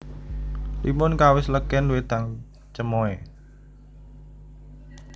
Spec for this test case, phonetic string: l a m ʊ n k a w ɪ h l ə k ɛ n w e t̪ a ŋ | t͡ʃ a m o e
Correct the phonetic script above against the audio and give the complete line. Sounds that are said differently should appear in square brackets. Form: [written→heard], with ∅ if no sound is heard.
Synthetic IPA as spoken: l [a→i] m ʊ n k a w ɪ [h→s] l ə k ɛ n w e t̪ a ŋ | t͡ʃ [a→ə] m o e